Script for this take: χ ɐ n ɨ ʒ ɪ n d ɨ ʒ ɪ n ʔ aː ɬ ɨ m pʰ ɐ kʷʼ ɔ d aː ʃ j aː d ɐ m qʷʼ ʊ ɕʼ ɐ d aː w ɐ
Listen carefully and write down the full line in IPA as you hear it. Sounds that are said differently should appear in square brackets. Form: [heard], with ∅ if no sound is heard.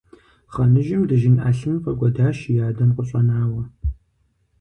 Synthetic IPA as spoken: χ ɐ n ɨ ʒ ɪ [m] d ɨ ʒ ɪ n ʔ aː ɬ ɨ m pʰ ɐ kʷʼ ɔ d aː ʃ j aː d ɐ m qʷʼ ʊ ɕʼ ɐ [n] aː w ɐ